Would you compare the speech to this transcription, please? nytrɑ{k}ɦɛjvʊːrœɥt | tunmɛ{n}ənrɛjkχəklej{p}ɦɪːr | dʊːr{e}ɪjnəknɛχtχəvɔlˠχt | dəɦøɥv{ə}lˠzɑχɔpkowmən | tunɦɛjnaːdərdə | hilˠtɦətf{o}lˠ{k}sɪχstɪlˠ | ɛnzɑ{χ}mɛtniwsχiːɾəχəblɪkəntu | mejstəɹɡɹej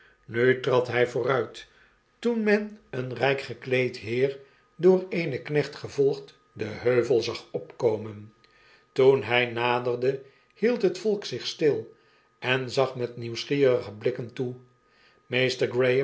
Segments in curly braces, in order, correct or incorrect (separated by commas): incorrect, correct, incorrect, correct, correct, incorrect, correct, correct